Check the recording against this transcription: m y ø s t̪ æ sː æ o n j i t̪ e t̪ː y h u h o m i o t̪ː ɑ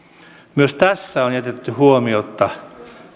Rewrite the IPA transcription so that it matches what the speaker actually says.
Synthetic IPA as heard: m y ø s t̪ æ sː æ o n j æ t̪ e t̪ː y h u o m i o t̪ː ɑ